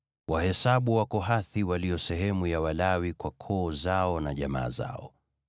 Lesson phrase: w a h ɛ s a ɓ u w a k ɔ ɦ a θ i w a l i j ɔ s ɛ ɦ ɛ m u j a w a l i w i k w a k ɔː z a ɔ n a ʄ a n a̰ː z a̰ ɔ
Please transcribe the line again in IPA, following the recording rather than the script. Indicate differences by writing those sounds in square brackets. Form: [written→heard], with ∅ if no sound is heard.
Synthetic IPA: w a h ɛ s a ɓ u w a k ɔ ɦ a θ i w a l i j ɔ s ɛ ɦ ɛ m u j a w a l [i→a] w i k w a [k→kʰ] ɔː z a ɔ n a ʄ a [n→m] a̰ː z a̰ ɔ